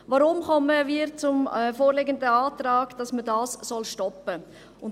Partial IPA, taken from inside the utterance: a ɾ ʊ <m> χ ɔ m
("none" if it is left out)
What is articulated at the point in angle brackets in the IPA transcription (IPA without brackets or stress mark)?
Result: m